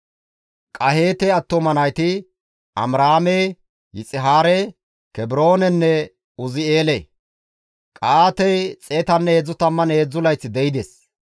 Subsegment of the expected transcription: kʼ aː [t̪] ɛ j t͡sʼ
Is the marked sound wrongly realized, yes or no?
no